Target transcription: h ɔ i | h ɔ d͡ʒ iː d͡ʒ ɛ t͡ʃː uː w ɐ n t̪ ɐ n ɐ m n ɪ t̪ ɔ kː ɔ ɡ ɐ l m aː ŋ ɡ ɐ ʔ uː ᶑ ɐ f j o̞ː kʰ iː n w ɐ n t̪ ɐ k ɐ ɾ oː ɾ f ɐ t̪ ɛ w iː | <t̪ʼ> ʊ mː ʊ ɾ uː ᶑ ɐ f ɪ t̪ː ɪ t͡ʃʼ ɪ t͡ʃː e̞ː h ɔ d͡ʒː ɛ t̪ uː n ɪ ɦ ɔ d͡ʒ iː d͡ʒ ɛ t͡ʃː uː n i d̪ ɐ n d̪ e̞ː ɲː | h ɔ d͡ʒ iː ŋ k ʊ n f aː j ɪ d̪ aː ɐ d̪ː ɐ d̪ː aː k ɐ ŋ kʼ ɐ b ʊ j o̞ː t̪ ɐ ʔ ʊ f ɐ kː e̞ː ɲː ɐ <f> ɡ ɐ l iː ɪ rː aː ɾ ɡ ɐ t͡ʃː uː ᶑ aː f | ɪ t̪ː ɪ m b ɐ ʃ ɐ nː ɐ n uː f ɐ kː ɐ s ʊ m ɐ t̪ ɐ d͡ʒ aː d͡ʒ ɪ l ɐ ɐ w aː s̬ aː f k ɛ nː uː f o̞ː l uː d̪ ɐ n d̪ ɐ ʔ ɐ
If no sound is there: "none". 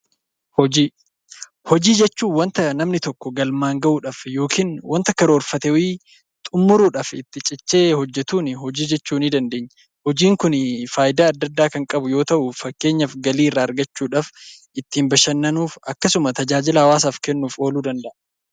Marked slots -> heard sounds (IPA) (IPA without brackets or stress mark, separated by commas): t̪ʼ, f